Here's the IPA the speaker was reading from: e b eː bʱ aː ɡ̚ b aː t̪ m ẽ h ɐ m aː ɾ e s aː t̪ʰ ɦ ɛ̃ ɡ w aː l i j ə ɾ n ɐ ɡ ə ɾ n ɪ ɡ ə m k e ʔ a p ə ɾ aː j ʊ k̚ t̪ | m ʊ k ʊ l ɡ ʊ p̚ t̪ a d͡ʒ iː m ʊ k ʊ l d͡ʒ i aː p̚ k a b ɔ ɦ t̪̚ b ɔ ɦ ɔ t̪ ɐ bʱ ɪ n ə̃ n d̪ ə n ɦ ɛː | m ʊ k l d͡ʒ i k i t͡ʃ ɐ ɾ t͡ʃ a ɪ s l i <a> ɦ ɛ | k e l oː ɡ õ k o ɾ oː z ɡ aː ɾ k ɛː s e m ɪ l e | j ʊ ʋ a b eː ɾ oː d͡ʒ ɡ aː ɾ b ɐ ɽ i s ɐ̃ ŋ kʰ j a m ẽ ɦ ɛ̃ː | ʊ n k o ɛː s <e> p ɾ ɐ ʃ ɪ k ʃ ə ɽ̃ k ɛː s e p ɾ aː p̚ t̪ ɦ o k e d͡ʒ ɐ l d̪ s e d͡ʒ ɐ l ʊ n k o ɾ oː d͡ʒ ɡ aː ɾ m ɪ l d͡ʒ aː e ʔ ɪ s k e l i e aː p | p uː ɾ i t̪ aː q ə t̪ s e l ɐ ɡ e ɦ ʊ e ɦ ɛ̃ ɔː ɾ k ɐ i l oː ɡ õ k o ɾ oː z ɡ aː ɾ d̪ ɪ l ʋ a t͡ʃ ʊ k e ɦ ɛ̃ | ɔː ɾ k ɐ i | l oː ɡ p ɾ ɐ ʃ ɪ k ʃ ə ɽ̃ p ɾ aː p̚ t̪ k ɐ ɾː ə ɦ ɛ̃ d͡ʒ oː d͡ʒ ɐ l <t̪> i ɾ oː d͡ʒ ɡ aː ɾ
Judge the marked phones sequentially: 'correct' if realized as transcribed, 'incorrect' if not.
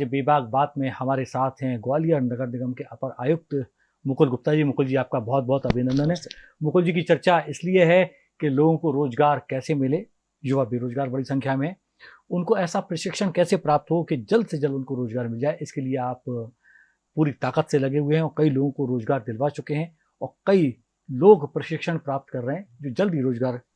incorrect, incorrect, incorrect

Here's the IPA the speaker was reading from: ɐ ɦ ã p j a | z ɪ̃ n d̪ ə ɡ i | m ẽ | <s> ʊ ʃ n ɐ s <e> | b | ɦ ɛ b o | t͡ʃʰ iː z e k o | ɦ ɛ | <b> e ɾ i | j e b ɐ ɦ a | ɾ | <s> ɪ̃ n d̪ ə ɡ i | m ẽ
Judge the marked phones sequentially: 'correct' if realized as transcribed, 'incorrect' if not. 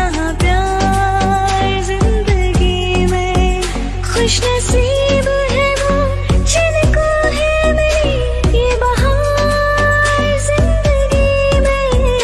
incorrect, incorrect, incorrect, incorrect

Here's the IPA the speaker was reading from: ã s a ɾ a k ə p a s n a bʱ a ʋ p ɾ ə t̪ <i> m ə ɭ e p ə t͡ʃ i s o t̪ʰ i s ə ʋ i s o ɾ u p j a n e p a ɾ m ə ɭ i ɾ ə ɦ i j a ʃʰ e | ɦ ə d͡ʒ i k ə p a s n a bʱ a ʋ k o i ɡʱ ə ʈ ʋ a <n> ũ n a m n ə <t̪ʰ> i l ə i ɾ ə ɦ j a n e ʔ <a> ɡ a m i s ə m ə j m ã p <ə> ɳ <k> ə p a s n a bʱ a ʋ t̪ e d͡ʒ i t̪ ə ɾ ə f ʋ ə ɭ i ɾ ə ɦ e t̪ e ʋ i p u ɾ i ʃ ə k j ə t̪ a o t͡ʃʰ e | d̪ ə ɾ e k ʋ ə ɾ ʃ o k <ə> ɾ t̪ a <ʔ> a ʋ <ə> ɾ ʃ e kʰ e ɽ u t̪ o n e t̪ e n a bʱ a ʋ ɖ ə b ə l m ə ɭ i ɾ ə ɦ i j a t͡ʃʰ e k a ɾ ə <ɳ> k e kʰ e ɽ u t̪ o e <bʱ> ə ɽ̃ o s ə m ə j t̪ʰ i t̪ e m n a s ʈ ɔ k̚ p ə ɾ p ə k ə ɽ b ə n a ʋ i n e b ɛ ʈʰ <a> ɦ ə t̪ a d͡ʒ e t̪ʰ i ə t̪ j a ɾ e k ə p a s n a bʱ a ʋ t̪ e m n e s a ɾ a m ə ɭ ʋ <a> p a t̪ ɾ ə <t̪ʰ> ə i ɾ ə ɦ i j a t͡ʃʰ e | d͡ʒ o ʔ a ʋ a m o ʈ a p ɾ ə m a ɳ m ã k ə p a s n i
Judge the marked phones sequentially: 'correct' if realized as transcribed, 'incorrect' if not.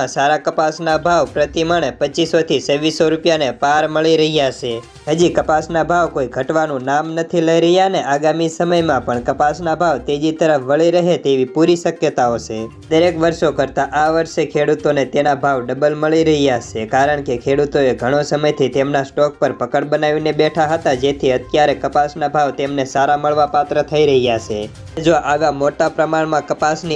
correct, correct, correct, correct, correct, correct, correct, correct, correct, correct, incorrect, correct, correct, correct

